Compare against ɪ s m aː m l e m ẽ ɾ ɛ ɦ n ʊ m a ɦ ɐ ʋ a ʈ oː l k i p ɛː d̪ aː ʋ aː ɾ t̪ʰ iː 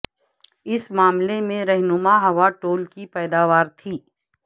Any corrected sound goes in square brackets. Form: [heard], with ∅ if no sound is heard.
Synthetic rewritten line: ɪ s m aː m l e m ẽ ɾ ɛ ɦ n ʊ m a ɦ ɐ ʋ a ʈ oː l k i p ɛː d̪ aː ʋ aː ɾ t̪ʰ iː